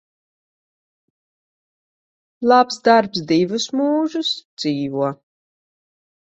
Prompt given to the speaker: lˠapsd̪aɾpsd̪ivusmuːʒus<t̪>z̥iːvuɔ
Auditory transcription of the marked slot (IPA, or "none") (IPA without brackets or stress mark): d̪